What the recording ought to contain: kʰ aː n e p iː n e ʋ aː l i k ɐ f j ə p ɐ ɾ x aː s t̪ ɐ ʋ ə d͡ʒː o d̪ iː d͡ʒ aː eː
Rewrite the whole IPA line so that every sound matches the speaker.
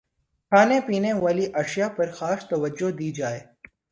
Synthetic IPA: kʰ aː n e p iː n e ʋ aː l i ʔ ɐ ʃ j a p ɐ ɾ x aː s t̪ ɐ ʋ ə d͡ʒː o d̪ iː d͡ʒ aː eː